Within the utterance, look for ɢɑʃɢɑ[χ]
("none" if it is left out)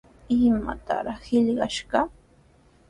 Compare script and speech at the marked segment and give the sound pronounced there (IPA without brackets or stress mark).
none